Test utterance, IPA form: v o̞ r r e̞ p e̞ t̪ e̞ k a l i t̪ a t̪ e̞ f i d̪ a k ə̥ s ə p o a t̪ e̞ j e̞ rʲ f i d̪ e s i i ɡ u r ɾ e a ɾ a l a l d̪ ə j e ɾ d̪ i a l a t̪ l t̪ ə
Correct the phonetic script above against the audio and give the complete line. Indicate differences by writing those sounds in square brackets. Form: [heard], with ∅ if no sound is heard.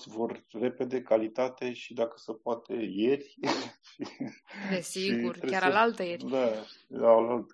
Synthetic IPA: v o̞ r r e̞ p e̞ [d̪] e̞ k a l i t̪ a t̪ e̞ [ʃ] i d̪ a k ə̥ s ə p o a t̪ e̞ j e̞ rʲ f i d̪ e s i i ɡ u r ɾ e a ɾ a l a l [t̪] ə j e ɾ d̪ [a] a l a [∅] l t̪ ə